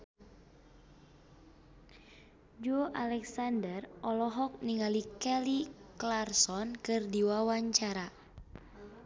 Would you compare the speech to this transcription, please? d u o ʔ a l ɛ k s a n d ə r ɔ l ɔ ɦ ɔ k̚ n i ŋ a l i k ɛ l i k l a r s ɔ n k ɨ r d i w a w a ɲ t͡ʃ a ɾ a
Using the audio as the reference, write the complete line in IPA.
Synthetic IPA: d͡ʒ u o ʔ a l ɛ k s a n d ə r ɔ l ɔ ɦ ɔ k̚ n i ŋ a l i k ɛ l i k l a r s ɔ n k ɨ r d i w a w a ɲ t͡ʃ a ɾ a